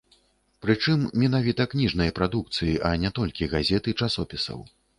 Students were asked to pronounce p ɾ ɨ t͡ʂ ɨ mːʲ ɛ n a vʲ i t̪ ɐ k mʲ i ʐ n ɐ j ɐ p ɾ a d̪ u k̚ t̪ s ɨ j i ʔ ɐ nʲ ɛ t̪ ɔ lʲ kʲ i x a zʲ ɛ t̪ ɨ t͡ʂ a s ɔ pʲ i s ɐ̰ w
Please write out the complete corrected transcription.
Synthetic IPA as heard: p ɾ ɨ t͡ʂ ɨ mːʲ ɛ n a vʲ i t̪ ɐ k nʲ i ʐ n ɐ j ɐ p ɾ a d̪ u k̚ t̪ s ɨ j i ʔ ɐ nʲ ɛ t̪ ɔ lʲ kʲ i ɣ a zʲ ɛ t̪ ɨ t͡ʂ a s ɔ pʲ i s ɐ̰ w